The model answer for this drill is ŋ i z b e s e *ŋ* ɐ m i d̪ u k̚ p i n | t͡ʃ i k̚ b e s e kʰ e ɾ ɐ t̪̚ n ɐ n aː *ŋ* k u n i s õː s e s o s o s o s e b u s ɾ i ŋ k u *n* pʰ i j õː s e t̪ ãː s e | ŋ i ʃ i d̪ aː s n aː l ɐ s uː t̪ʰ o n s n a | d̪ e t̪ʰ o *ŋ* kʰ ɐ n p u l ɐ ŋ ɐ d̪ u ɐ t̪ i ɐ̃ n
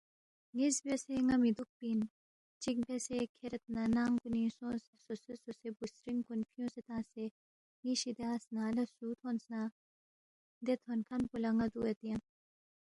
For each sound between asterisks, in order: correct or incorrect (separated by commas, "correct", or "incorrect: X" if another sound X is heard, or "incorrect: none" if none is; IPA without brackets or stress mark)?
correct, correct, correct, incorrect: n